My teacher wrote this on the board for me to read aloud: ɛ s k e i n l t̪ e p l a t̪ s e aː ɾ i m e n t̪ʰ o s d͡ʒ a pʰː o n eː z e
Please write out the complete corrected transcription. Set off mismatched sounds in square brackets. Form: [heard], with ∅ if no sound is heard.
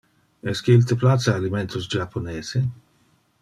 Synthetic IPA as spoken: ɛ s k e i [∅] l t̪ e p l a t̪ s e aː [l] i m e n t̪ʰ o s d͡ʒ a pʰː o n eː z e